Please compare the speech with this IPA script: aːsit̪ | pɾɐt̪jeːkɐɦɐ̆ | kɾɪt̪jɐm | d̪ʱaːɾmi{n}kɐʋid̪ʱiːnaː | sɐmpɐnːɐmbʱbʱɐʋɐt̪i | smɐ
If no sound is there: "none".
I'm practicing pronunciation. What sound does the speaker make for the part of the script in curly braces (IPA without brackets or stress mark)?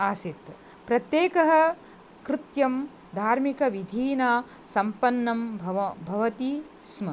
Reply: none